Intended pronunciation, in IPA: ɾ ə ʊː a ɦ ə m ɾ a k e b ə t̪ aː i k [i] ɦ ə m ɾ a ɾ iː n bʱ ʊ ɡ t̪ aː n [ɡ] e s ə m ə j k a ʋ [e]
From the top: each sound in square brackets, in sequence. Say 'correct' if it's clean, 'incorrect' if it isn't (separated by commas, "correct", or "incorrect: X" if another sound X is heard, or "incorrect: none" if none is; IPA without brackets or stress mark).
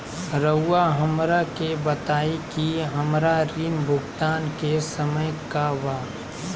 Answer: correct, incorrect: k, incorrect: a